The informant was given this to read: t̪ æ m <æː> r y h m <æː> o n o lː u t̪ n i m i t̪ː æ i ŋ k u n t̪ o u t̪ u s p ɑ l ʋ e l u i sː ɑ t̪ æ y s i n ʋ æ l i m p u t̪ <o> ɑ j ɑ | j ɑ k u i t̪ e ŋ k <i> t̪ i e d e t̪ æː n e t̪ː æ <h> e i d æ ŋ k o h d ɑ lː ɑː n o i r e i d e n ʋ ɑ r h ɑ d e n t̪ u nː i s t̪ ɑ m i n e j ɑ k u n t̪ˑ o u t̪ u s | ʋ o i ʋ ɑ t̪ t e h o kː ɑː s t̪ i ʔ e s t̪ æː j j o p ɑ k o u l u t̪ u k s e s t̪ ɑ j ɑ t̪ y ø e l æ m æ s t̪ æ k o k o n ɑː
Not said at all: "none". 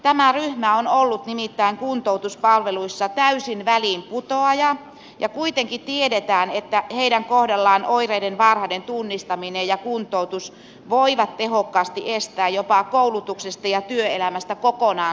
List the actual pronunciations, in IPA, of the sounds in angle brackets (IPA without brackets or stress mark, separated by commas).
æ, æ, o, i, h